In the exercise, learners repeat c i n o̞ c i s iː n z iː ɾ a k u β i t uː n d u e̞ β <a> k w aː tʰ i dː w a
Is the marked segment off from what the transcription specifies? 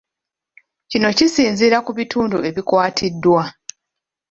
yes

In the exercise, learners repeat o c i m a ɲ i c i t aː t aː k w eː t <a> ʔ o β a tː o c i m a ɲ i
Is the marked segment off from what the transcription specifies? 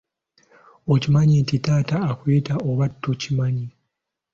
no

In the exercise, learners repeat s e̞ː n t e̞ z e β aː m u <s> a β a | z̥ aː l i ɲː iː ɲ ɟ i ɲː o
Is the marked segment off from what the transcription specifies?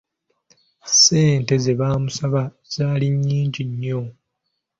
no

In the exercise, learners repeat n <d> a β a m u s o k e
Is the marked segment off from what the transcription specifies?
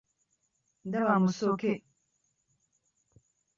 no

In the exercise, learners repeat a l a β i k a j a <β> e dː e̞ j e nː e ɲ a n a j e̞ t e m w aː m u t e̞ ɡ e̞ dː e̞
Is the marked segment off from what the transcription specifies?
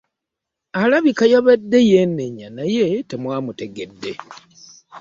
no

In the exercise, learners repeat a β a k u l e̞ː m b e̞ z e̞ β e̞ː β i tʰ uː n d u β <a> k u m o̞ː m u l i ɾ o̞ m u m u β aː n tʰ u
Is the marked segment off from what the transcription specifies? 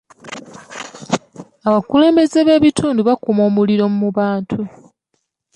no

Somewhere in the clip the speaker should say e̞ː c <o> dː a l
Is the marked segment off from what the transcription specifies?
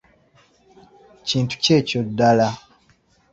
no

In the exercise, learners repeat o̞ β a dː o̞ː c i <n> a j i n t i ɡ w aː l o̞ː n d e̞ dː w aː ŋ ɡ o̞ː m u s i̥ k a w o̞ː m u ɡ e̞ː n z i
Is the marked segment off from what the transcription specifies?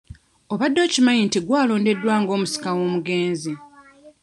yes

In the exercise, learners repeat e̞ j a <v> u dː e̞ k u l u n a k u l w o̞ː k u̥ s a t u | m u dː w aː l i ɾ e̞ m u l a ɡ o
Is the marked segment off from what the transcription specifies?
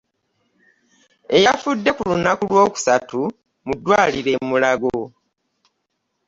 yes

